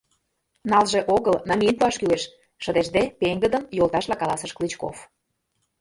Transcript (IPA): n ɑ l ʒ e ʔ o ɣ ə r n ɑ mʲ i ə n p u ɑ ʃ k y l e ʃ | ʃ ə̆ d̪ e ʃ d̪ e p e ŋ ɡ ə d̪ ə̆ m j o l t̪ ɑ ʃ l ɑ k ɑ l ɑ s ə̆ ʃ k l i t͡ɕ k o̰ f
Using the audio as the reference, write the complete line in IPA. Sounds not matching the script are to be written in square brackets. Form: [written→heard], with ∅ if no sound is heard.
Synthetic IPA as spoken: n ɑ l ʒ e ʔ o ɣ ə [r→l] n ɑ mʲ i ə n p u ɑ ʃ k y l e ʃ | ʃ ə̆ d̪ e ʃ d̪ e p e ŋ ɡ ə d̪ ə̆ m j o l t̪ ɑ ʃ l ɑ k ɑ l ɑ s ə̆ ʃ k l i t͡ɕ k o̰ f